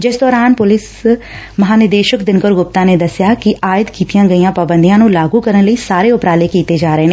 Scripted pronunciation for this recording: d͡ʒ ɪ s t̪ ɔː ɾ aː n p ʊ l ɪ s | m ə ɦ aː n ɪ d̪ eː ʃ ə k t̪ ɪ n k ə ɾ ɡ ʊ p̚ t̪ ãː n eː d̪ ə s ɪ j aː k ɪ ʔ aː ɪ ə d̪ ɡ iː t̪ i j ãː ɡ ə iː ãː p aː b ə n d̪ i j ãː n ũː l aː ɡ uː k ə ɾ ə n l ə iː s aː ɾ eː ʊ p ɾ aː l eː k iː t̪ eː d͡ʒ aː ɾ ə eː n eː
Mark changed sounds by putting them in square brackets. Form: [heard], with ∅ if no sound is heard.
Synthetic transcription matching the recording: d͡ʒ ɪ s [d̪] ɔː ɾ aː n p ʊ l ɪ s | m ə ɦ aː n ɪ d̪ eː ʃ ə k [d̪] ɪ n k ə ɾ ɡ ʊ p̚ t̪ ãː n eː d̪ ə s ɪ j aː k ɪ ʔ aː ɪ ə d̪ [k] iː t̪ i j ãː ɡ ə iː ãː p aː b ə n d̪ i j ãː n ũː l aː ɡ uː k ə ɾ ə n l ə iː s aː ɾ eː ʊ p ɾ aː l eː k iː t̪ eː d͡ʒ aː ɾ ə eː n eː